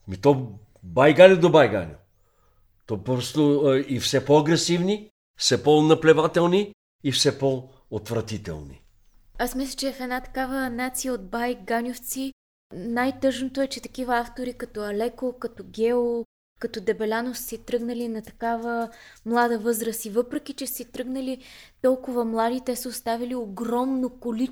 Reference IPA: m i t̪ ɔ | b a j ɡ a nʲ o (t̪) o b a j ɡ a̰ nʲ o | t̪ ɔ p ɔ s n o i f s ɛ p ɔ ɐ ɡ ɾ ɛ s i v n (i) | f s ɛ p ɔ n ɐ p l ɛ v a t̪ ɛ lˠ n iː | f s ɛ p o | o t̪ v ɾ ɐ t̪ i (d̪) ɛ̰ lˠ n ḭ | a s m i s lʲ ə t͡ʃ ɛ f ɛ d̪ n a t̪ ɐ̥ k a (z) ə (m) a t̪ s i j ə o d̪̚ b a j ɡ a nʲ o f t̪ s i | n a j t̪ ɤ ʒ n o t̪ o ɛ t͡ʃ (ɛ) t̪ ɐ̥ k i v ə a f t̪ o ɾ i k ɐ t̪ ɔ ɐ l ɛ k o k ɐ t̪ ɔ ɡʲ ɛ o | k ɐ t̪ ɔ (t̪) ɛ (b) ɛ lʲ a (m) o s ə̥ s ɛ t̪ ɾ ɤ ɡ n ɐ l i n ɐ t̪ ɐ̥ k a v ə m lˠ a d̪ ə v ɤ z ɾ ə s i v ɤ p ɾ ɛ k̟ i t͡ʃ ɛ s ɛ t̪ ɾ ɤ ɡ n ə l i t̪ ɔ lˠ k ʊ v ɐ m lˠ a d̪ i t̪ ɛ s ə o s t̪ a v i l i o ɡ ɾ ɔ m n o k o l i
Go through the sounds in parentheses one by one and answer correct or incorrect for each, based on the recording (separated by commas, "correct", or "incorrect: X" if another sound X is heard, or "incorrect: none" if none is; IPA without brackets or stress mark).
incorrect: d̪, correct, incorrect: t̪, incorrect: v, incorrect: n, correct, incorrect: d̪, correct, incorrect: n